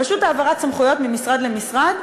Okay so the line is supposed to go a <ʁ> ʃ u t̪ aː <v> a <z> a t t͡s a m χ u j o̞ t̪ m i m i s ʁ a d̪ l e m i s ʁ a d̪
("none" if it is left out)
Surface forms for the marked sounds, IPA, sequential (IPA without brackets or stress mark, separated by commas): none, v, ʁ